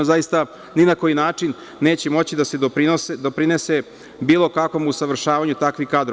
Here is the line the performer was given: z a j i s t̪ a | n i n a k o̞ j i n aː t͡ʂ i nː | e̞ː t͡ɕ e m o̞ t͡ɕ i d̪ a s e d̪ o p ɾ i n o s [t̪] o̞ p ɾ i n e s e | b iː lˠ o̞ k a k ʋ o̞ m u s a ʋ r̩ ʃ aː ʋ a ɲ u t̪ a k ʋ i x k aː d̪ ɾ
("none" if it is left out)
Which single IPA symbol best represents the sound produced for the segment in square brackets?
d̪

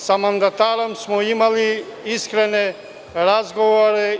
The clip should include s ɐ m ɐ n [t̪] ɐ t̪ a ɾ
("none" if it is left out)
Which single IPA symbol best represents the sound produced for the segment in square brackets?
d̪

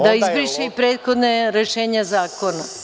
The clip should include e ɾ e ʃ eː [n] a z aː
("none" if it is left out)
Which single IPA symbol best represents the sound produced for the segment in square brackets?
ɲ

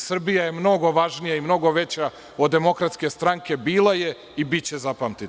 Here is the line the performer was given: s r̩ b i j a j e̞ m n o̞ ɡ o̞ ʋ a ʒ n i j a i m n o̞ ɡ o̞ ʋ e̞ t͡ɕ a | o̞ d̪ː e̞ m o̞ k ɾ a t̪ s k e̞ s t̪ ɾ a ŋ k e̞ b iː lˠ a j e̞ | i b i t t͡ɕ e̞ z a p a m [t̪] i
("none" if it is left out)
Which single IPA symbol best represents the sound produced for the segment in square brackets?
t̪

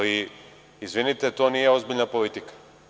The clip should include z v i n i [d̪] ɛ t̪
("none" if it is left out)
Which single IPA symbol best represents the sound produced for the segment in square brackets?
t̪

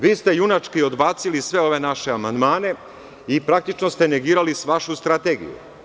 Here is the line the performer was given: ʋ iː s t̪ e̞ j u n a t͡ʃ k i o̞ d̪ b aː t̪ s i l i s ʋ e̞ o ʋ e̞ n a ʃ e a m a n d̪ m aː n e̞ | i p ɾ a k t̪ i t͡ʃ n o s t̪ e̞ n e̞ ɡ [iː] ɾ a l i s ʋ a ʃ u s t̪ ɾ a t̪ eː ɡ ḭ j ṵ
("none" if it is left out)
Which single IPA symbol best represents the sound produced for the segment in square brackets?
iː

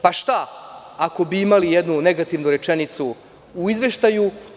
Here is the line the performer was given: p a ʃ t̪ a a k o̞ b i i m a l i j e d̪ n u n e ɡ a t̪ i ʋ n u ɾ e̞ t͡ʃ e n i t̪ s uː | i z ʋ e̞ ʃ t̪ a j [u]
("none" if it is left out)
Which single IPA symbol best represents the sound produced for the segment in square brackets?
u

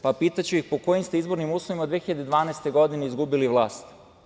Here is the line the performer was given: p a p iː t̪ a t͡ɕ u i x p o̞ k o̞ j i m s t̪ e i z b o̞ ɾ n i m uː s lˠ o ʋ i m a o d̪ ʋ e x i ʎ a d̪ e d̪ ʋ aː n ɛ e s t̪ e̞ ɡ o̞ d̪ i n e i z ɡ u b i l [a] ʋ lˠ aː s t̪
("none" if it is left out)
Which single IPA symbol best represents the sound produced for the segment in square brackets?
i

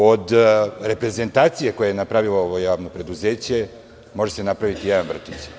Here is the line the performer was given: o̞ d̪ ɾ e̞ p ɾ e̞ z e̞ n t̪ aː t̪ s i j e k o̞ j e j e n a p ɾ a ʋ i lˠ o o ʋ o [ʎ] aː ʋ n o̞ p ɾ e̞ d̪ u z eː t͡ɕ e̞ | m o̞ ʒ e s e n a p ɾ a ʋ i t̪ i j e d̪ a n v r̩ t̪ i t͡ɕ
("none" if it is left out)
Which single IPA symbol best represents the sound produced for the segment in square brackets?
j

